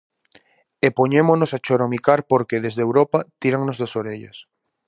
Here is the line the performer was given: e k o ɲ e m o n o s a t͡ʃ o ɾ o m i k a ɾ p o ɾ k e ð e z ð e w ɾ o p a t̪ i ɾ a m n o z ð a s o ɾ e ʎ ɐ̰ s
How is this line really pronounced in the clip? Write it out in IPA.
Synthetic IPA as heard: e p o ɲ e m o n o s a t͡ʃ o ɾ o m i k a ɾ p o ɾ k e ð e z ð e w ɾ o p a t̪ i ɾ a ŋ n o z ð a s o ɾ e ʎ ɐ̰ s